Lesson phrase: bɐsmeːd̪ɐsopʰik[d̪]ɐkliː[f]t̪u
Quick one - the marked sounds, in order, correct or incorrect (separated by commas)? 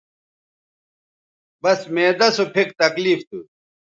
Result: incorrect, correct